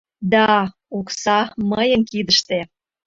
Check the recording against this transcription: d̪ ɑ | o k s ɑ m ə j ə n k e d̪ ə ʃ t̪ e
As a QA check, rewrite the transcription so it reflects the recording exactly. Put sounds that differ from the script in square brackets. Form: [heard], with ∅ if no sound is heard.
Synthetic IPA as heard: d̪ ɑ | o k s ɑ m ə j ə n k [i] d̪ ə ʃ t̪ e